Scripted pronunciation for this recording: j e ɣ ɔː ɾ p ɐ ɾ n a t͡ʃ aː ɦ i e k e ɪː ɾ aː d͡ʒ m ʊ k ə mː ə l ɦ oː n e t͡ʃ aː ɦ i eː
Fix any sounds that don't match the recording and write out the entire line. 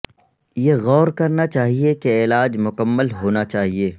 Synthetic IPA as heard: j e ɣ ɔː ɾ k ɐ ɾ n a t͡ʃ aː ɦ i e k e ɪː l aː d͡ʒ m ʊ k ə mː ə l ɦ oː n a t͡ʃ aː ɦ i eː